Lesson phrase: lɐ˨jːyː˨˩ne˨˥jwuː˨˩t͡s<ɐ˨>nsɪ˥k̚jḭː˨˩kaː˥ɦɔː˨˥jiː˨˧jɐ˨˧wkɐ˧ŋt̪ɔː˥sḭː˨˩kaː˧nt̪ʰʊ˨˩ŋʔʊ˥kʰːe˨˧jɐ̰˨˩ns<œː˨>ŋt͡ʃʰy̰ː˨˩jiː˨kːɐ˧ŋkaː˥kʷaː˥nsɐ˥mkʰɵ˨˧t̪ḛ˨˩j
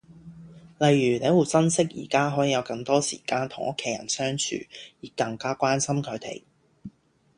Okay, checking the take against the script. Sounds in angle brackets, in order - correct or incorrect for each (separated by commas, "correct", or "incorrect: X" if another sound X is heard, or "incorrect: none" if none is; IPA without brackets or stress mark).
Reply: incorrect: ɐ˥, incorrect: œː˥